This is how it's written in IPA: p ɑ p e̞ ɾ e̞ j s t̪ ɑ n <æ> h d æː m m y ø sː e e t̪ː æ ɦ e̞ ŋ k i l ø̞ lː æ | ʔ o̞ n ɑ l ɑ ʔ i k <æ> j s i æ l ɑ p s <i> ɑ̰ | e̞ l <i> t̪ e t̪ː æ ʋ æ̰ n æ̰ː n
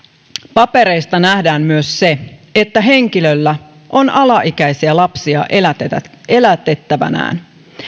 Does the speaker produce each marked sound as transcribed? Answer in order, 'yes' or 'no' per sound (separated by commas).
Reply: yes, yes, yes, no